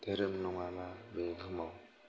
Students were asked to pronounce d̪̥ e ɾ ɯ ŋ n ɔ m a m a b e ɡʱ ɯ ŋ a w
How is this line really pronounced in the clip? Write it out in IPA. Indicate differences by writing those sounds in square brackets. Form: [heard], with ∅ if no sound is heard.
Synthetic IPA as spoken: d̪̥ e ɾ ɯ [m] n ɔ [ŋ] a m a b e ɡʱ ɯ [m] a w